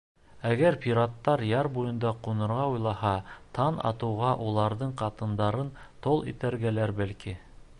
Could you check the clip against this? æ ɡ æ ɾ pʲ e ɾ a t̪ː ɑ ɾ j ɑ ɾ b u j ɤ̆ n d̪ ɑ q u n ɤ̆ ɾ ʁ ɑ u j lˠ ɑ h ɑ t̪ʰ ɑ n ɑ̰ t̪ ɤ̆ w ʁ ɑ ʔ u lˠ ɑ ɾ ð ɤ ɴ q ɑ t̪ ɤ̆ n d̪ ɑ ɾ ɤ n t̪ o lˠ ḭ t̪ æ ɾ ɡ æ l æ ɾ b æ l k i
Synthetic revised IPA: æ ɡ æ ɾ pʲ i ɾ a t̪ː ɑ ɾ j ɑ ɾ b u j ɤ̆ n d̪ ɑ q u n ɤ̆ ɾ ʁ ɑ u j lˠ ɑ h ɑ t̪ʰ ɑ n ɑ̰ t̪ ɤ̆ w ʁ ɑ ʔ u lˠ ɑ ɾ ð ɤ ɴ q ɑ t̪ ɤ̆ n d̪ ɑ ɾ ɤ n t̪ o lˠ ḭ t̪ æ ɾ ɡ æ l æ ɾ b æ l k i